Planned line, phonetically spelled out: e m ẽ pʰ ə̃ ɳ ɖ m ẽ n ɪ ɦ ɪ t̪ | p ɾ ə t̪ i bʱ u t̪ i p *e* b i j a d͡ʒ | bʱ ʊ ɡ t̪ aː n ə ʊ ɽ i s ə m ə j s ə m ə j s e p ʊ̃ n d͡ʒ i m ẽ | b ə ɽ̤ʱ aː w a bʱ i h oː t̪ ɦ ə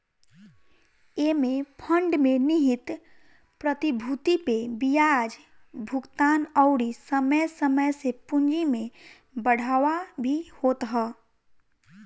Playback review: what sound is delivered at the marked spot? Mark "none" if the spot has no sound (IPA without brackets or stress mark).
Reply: e